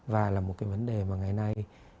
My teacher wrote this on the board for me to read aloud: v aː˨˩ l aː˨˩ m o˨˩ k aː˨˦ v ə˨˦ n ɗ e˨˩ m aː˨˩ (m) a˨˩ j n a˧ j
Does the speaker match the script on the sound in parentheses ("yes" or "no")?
no